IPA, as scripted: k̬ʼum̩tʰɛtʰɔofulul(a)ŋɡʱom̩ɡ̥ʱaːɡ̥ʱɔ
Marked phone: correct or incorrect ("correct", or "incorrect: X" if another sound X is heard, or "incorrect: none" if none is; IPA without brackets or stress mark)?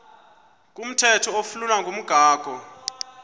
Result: correct